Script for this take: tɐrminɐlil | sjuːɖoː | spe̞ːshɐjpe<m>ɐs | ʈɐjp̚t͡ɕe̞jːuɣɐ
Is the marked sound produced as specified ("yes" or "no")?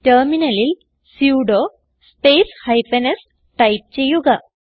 no